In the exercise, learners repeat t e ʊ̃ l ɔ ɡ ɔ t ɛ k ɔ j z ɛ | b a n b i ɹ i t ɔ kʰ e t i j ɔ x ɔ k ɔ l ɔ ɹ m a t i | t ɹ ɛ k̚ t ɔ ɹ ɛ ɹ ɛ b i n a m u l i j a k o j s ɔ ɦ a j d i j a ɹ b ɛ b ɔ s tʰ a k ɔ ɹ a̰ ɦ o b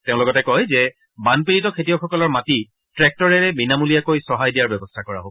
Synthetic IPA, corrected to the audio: t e ʊ̃ l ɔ ɡ ɔ t ɛ k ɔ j z ɛ | b a n p i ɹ i t ɔ kʰ e t i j ɔ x ɔ k ɔ l ɔ ɹ m a t i | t ɹ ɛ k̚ t ɔ ɹ ɛ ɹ ɛ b i n a m u l i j a k o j s ɔ ɦ a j d i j a ɹ b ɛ b ɔ s tʰ a k ɔ ɹ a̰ ɦ o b